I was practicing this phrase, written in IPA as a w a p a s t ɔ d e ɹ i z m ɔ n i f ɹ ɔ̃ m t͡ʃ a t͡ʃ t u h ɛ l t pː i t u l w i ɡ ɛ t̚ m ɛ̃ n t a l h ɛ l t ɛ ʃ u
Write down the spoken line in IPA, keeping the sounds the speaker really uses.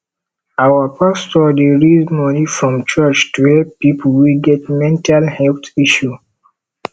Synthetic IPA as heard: a w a p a s t ɔ d e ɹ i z m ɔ n i f ɹ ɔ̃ m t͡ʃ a t͡ʃ t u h ɛ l p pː i p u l w i ɡ ɛ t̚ m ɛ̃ n t a l h ɛ l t i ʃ u